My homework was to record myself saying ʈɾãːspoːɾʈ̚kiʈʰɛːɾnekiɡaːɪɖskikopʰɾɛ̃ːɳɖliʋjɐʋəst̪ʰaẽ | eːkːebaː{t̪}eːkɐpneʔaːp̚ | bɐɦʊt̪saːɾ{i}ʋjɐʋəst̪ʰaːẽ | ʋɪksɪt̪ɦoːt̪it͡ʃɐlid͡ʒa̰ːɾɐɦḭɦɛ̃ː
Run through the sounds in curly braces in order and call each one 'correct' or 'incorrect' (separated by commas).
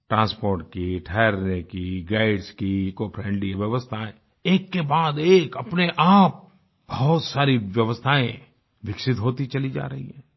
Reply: incorrect, correct